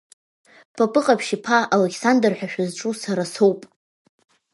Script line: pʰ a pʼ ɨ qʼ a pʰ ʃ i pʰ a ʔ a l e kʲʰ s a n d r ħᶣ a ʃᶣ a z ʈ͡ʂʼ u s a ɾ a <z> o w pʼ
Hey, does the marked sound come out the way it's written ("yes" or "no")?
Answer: no